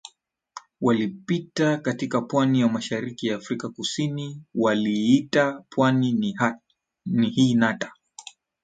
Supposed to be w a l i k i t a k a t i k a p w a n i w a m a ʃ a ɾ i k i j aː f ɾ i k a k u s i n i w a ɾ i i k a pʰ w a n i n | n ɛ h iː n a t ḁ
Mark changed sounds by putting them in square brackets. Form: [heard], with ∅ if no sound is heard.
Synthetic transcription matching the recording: w a l i [p] i t a k a t i k a p w a n i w a m a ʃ a ɾ i k i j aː f ɾ i k a k u s i n i w a [l] i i [t] a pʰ w a n i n | n [i] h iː n a t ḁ